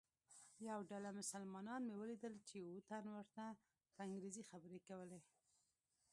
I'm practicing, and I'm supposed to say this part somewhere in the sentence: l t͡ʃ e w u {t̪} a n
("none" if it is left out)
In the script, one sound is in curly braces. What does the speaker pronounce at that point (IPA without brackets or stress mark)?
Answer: t̪